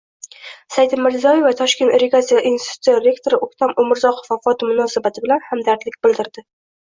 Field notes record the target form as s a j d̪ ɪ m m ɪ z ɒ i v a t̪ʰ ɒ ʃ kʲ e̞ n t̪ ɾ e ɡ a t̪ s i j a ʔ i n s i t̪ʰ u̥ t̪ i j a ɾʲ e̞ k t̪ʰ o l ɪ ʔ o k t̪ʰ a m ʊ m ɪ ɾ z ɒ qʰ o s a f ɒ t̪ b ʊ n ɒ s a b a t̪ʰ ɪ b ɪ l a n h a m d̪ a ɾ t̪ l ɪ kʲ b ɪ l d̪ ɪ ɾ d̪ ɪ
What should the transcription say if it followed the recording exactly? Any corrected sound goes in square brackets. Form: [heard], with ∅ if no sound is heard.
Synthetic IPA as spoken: s a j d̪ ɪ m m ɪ z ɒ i v a t̪ʰ ɒ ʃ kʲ e̞ n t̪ ɾ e ɡ a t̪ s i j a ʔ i n s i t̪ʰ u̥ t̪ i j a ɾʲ e̞ k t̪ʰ o [ɾ] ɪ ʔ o k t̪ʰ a m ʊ m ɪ ɾ z ɒ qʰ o [f] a f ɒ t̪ [m] ʊ n ɒ s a b a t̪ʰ ɪ b ɪ l a n h a m d̪ a ɾ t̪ l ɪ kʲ b ɪ l d̪ ɪ ɾ d̪ ɪ